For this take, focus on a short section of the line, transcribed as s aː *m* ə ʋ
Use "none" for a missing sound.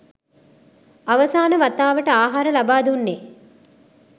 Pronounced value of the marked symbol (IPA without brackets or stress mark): n